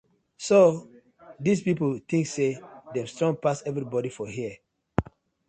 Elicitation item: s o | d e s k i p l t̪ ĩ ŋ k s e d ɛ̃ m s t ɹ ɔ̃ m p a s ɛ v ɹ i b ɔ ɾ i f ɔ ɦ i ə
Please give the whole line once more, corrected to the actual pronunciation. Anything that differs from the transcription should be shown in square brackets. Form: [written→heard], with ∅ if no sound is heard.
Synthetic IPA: s o | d [e→i] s [k→p] i p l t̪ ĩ ŋ k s e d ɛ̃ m s t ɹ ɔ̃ [m→ŋ] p a s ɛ v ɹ i b ɔ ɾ i f ɔ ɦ i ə